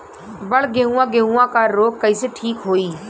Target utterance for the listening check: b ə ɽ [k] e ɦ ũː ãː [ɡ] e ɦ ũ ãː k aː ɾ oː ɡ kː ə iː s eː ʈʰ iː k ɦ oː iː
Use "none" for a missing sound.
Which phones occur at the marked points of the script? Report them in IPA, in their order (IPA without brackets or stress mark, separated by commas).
ɡ, ɡ